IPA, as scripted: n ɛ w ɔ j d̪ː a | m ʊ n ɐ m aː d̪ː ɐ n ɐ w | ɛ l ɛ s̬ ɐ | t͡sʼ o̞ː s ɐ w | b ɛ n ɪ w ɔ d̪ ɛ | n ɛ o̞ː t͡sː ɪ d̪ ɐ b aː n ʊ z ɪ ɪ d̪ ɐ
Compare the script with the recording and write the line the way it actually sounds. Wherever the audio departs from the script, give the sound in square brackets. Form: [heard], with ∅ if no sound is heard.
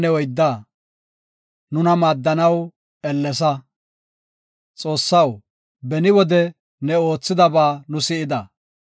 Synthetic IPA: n ɛ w ɔ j d̪ː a | [n] ʊ n ɐ m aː d̪ː ɐ n ɐ w | ɛ [lː] ɛ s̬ ɐ | t͡sʼ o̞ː [sː] ɐ w | b ɛ n ɪ w ɔ d̪ ɛ | n ɛ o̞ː t͡sː ɪ d̪ ɐ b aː n ʊ [s] ɪ ɪ d̪ ɐ